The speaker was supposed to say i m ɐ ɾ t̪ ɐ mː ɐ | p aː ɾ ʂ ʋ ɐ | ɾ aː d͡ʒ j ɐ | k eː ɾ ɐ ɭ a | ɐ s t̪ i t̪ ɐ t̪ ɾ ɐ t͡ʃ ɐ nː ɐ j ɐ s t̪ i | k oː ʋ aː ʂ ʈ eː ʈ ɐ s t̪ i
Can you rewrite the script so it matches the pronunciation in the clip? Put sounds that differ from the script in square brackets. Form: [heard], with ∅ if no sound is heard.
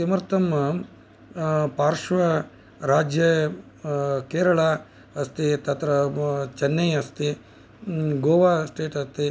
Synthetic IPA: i m ɐ ɾ t̪ ɐ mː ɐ | p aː ɾ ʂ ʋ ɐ | ɾ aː d͡ʒ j ɐ | k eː ɾ ɐ ɭ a | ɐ s t̪ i t̪ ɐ t̪ ɾ ɐ t͡ʃ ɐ nː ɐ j ɐ s t̪ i | [ɡ] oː ʋ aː [s] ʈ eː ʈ ɐ s t̪ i